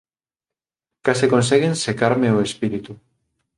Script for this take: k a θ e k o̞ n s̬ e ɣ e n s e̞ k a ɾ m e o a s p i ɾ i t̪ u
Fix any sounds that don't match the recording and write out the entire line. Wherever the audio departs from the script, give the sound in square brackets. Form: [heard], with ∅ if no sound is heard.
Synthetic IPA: k a [s] e k o̞ n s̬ e ɣ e n s e̞ k a ɾ m e o [e] s p i ɾ i t̪ u